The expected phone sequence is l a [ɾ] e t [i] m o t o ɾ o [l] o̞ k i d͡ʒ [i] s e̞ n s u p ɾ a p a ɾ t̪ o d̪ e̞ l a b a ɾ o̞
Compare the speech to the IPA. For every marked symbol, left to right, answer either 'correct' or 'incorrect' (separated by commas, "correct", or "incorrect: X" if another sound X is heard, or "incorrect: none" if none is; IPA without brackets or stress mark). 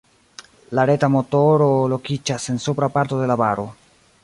correct, incorrect: a, correct, incorrect: a